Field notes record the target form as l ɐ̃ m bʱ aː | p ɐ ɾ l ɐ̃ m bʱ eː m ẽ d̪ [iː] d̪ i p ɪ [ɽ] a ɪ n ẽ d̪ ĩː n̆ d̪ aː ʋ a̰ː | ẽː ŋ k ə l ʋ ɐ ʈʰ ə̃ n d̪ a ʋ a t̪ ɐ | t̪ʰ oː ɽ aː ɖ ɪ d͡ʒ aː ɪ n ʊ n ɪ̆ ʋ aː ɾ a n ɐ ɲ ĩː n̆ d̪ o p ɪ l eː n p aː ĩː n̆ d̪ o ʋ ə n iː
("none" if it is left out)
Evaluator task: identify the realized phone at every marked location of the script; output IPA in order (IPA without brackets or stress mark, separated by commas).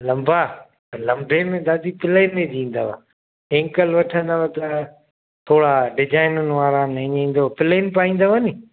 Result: aː, l